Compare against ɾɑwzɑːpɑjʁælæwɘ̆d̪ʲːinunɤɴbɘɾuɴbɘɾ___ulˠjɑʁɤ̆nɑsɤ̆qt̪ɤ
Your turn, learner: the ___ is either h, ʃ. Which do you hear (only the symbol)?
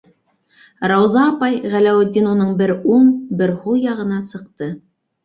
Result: h